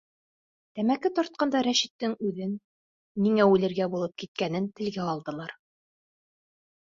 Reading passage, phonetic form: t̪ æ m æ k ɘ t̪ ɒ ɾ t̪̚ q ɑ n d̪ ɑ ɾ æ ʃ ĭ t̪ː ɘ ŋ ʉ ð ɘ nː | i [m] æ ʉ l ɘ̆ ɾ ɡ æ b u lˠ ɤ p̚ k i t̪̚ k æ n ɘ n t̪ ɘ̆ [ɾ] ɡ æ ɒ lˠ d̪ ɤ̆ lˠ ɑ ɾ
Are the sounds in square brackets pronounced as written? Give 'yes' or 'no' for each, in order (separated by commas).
no, no